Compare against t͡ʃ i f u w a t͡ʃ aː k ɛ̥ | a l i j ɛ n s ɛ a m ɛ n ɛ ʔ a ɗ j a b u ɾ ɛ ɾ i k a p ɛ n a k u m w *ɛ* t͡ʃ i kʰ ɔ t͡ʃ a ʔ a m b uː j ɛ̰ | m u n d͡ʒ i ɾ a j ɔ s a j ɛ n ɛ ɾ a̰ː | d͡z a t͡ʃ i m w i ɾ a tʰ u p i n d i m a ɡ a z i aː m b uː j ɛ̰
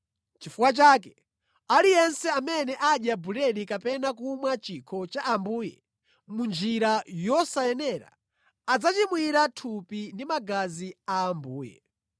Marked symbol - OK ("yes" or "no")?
no